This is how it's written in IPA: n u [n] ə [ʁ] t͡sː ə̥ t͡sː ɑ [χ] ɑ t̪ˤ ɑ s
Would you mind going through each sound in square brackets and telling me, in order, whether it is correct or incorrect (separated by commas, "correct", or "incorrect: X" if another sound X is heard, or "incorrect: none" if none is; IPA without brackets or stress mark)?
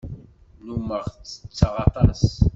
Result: incorrect: m, correct, incorrect: ʁ